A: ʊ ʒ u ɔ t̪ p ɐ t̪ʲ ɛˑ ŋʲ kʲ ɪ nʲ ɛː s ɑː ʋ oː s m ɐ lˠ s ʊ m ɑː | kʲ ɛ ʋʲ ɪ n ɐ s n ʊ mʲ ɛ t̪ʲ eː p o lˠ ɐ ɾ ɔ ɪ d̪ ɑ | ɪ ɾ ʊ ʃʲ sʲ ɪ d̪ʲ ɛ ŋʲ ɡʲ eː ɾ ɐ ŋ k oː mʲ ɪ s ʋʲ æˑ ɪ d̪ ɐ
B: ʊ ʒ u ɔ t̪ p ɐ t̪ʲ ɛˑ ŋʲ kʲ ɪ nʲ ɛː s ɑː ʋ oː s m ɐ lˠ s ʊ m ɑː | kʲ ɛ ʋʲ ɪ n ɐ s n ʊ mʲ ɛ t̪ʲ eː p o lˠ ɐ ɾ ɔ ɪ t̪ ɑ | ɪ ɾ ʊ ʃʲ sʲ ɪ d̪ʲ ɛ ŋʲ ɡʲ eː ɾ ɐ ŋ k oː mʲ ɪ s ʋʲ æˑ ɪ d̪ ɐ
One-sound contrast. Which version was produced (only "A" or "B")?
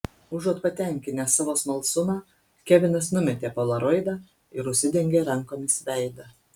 A